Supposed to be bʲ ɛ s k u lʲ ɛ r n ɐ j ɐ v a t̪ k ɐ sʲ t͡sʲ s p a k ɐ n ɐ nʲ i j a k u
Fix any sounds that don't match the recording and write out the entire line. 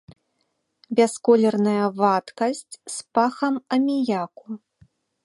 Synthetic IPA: bʲ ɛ s k ɔ lʲ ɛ r n ɐ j ɐ v a t̪ k ɐ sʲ t͡sʲ s p a x ɐ m ɐ mʲ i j a k u